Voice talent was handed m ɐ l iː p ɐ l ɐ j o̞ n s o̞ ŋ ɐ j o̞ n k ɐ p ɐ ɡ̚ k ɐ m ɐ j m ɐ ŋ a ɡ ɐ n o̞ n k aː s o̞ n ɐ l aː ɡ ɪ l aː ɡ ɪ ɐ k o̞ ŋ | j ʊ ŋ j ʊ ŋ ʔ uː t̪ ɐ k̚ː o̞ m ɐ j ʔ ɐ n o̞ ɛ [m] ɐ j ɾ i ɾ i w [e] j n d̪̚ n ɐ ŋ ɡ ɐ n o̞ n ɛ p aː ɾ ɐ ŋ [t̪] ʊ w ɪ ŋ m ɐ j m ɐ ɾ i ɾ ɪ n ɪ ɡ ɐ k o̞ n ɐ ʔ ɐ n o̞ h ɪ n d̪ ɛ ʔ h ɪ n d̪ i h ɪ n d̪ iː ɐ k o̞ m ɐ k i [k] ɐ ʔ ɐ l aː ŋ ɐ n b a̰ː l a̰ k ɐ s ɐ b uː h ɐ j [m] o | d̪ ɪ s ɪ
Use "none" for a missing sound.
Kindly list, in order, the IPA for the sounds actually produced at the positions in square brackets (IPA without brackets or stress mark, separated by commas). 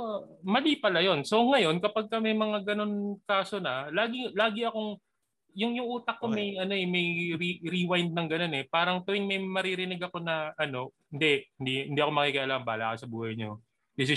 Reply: m, a, t̪, k, ɲ